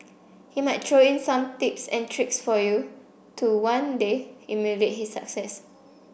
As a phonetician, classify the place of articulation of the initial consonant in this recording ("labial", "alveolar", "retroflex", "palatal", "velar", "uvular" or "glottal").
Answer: glottal